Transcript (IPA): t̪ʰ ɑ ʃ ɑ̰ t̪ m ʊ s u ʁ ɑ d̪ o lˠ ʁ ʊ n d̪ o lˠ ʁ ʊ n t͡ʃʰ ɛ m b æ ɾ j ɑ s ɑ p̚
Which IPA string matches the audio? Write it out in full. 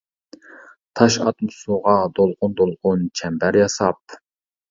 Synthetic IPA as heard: t̪ʰ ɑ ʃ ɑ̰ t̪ m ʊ s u ʁ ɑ d̪ o lˠ ʁ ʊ n d̪ o lˠ ʁ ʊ n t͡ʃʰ ɛ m b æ ɾ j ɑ s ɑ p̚